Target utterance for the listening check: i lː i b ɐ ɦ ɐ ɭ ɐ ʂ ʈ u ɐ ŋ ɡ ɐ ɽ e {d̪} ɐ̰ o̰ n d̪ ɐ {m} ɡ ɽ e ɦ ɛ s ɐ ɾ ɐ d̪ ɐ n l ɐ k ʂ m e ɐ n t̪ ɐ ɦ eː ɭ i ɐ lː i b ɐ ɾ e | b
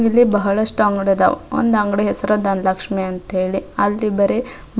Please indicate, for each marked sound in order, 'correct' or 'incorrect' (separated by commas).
correct, incorrect